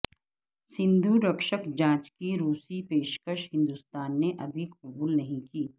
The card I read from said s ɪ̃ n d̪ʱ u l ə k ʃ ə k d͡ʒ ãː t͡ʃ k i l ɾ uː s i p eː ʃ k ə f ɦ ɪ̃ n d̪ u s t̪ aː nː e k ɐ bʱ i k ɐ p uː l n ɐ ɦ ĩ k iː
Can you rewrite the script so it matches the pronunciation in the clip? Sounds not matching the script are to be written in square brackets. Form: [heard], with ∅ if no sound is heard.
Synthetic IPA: s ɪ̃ n d̪ʱ u [ɾ] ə k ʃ ə k d͡ʒ ãː t͡ʃ k i [∅] ɾ uː s i p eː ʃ k ə [ʃ] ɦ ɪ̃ n d̪ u s t̪ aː nː e [ʔ] ɐ bʱ i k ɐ [b] uː l n ɐ ɦ ĩ k iː